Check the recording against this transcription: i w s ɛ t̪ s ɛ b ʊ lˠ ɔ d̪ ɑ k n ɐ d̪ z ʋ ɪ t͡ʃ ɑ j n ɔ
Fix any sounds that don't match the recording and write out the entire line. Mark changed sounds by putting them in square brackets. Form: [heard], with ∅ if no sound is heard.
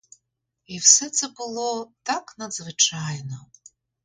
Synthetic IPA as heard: i w s ɛ t̪ s ɛ b ʊ lˠ ɔ [t̪] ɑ k n ɐ d̪ z ʋ ɪ t͡ʃ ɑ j n ɔ